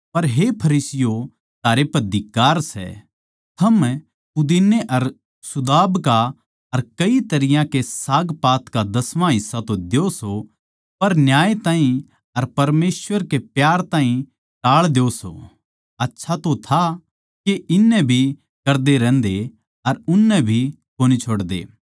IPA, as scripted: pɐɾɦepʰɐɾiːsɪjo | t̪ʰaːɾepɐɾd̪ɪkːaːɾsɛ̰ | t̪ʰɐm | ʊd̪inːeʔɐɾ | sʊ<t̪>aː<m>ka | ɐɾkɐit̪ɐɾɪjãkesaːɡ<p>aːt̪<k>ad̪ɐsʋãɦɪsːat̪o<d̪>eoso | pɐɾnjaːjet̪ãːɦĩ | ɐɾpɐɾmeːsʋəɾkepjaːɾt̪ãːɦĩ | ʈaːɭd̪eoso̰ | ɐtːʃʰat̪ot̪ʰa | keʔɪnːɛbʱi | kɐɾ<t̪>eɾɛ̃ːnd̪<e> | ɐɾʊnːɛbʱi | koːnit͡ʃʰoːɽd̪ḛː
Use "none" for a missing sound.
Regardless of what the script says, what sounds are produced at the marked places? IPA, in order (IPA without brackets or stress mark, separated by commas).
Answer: d̪, b, p, k, d̪, d̪, e